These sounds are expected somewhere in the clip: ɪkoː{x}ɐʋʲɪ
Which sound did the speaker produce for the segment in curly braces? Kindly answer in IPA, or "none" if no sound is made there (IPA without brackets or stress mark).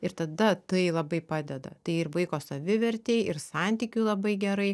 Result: s